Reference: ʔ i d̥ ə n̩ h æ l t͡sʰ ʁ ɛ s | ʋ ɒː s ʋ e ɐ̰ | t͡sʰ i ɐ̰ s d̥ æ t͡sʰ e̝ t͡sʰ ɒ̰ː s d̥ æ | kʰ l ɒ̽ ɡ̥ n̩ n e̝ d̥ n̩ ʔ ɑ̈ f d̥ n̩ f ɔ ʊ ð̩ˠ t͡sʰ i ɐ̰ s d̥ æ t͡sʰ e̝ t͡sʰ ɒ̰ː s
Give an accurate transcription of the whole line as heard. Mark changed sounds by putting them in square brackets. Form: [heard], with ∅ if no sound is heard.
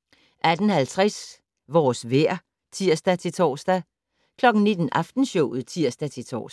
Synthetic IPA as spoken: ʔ [æ] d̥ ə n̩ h æ l t͡sʰ ʁ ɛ s | ʋ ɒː s ʋ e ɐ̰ | t͡sʰ i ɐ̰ s d̥ æ t͡sʰ e̝ t͡sʰ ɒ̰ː s d̥ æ | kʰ l ɒ̽ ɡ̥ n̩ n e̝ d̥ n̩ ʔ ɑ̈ f d̥ n̩ [ɕ] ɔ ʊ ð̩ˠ t͡sʰ i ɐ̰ s d̥ æ t͡sʰ e̝ t͡sʰ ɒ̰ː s

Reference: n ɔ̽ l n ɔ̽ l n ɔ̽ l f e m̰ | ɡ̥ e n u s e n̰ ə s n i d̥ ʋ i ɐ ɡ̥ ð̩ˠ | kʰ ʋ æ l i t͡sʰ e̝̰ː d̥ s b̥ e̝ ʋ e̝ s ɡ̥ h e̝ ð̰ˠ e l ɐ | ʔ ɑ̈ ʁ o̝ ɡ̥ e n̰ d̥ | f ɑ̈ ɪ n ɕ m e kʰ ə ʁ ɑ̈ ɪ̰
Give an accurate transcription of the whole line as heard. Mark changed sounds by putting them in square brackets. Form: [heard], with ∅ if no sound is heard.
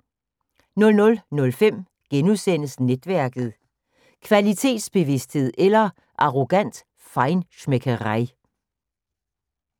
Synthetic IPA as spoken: n ɔ̽ l n ɔ̽ l n ɔ̽ l f e m̰ | ɡ̥ e n u s e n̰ ə s n [e] d̥ ʋ [æ] ɐ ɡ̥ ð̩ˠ | kʰ ʋ æ l i t͡sʰ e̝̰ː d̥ s b̥ e̝ ʋ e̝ s [d̥] h e̝ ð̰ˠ e l ɐ | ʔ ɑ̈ ʁ o̝ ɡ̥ [æ] n̰ d̥ | f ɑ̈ ɪ n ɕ m e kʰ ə ʁ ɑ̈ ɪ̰

